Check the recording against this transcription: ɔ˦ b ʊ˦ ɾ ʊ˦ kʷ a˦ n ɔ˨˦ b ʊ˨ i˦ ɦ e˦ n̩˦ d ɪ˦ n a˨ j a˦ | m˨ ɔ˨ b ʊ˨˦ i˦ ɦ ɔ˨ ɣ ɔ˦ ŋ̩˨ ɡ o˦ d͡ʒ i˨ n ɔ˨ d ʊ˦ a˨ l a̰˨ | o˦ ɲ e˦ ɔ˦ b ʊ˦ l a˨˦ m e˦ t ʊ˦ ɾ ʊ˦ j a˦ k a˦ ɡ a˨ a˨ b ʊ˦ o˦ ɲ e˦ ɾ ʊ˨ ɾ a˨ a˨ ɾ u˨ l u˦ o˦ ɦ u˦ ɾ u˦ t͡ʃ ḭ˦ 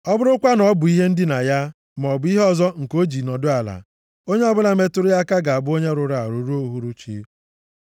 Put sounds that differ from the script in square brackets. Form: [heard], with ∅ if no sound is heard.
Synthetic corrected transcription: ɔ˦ b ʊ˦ ɾ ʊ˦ kʷ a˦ n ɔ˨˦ b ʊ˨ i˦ ɦ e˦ n̩˦ d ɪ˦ n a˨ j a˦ | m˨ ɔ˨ b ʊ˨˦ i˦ ɦ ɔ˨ [z] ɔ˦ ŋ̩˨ [k] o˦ d͡ʒ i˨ n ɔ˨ d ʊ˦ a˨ l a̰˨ | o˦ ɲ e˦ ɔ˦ b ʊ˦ l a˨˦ m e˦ t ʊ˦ ɾ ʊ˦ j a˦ k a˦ ɡ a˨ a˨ b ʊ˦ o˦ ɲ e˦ ɾ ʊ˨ ɾ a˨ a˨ ɾ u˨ [ɾ] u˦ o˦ ɦ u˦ ɾ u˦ t͡ʃ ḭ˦